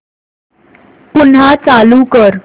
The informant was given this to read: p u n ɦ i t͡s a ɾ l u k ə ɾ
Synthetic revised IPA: p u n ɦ a t͡s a l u k ə ɾ